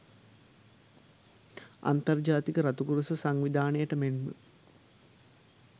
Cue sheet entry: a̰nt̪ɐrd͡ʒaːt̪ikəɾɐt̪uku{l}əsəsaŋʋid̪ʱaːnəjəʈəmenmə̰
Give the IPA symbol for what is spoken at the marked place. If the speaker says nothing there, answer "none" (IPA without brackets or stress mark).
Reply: ɾ